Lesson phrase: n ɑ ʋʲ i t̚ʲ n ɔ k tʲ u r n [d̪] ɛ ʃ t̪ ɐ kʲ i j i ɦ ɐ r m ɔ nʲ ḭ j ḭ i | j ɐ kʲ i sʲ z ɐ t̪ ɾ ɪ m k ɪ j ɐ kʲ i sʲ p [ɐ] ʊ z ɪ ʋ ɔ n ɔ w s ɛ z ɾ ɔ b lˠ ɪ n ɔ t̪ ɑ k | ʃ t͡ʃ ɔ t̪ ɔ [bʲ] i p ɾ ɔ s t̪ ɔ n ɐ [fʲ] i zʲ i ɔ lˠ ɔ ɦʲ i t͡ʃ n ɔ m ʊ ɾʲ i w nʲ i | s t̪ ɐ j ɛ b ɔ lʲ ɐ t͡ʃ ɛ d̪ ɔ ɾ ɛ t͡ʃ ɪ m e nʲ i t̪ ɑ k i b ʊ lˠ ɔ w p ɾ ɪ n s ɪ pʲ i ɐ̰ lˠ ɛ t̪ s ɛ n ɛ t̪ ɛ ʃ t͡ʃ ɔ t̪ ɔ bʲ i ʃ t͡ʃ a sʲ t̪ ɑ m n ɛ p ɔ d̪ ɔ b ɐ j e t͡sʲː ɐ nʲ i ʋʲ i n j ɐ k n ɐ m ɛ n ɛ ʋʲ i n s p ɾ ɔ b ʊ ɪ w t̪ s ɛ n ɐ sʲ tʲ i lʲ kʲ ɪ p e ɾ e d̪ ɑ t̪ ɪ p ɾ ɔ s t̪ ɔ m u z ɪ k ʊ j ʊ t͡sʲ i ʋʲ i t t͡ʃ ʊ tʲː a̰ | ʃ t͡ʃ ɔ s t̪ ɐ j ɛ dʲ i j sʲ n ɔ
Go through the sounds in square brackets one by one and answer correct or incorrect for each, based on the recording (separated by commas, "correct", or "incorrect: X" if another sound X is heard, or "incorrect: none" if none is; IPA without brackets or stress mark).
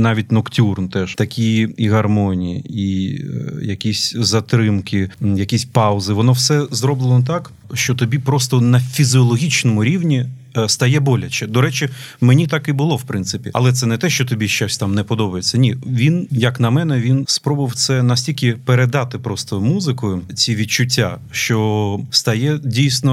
incorrect: t̪, incorrect: ɑ, correct, correct